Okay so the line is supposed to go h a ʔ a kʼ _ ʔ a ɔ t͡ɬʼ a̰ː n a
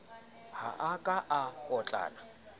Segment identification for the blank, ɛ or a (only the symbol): a